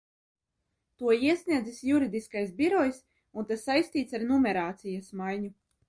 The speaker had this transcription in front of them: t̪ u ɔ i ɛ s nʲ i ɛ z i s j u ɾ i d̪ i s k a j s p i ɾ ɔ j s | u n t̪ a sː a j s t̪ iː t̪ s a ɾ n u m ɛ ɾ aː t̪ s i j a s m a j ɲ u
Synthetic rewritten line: t̪ u ɔ i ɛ s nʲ i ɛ z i s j u ɾ i d̪ i s k a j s b i ɾ ɔ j s | u n t̪ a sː a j s t̪ iː t̪ s a ɾ n u m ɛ ɾ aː t̪ s i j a s m a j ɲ u